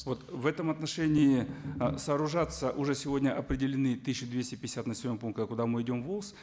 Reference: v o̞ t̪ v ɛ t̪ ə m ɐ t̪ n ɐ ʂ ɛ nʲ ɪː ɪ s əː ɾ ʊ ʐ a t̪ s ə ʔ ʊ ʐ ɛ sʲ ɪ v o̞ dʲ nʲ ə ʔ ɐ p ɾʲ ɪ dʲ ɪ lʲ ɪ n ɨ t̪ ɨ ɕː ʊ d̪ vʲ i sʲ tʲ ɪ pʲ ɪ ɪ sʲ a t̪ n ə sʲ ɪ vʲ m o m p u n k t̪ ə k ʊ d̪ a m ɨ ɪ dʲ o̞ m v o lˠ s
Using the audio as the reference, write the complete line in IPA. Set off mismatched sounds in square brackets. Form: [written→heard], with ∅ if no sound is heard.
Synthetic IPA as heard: v o̞ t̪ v ɛ t̪ ə m ɐ t̪ n ɐ ʂ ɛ nʲ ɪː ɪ s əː ɾ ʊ ʐ a t̪ s ə ʔ ʊ ʐ ɛ sʲ ɪ v o̞ dʲ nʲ ə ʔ ɐ p ɾʲ ɪ dʲ ɪ lʲ ɪ n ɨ t̪ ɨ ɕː ʊ d̪ vʲ [i→e] sʲ tʲ ɪ pʲ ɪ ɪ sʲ a t̪ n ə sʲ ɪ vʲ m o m p u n k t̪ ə k ʊ d̪ a m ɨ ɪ dʲ o̞ m v o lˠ s